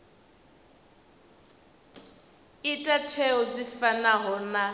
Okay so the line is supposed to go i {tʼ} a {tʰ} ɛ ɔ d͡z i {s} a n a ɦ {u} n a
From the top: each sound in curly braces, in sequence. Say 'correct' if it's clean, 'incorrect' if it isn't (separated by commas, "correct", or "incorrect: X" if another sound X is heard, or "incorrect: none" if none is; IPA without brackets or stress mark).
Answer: correct, correct, incorrect: f, incorrect: ɔ